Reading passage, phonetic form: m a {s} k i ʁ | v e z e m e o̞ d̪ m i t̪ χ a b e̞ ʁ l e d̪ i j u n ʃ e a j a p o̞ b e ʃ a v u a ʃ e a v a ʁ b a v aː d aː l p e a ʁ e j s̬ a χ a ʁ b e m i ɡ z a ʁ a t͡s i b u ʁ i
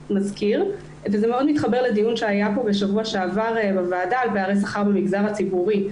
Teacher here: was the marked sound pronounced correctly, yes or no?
no